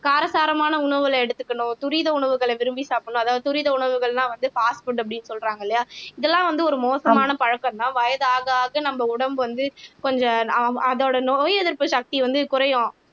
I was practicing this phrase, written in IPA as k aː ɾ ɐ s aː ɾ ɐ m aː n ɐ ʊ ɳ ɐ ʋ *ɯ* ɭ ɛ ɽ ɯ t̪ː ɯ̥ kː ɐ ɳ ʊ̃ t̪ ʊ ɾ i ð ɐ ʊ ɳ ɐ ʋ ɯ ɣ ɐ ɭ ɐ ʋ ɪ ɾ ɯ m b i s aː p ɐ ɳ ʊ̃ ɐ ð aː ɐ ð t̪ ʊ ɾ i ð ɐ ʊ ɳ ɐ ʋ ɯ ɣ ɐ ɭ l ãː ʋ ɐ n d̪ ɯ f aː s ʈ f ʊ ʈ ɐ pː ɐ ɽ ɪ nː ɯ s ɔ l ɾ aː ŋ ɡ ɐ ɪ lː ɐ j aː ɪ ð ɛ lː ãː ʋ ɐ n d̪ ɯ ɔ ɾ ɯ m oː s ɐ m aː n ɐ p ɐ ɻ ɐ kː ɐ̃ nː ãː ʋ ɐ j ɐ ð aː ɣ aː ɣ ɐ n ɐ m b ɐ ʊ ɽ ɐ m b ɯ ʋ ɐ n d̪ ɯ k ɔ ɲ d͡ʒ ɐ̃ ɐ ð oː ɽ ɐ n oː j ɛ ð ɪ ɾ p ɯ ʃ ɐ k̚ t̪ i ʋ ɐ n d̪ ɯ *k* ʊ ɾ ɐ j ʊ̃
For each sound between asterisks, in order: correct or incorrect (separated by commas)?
correct, correct